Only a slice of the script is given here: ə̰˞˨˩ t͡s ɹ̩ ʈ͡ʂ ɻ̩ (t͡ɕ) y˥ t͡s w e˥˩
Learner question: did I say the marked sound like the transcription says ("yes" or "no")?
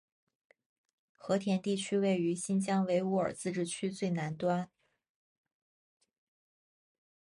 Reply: no